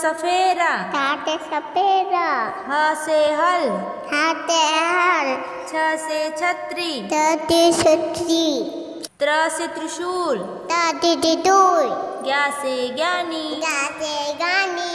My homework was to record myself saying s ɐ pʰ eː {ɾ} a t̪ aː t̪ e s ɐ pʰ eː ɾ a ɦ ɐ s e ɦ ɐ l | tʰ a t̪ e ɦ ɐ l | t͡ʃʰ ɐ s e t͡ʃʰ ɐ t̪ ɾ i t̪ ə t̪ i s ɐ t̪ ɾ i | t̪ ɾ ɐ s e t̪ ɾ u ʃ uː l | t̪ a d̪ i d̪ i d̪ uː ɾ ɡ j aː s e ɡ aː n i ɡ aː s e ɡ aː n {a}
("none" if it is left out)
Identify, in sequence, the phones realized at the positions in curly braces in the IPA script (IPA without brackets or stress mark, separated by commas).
ɾ, i